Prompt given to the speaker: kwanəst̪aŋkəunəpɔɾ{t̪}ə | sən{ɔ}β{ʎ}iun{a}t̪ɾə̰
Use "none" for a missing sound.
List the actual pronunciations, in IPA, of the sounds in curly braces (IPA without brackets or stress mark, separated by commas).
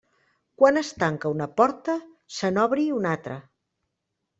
t̪, ɔ, ɾ, a